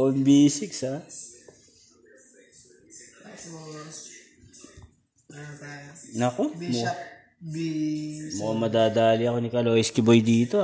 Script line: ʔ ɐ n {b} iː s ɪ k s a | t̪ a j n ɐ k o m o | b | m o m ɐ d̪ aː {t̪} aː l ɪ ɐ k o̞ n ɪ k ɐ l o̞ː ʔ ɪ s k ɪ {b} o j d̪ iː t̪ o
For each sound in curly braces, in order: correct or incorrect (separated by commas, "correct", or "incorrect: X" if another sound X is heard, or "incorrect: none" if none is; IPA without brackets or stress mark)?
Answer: correct, incorrect: d̪, correct